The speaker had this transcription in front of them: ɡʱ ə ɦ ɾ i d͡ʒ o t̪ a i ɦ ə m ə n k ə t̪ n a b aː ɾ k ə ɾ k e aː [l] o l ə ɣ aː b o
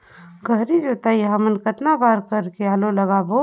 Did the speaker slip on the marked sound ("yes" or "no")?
no